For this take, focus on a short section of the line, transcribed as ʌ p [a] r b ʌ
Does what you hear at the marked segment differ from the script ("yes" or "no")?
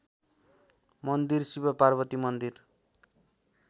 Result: no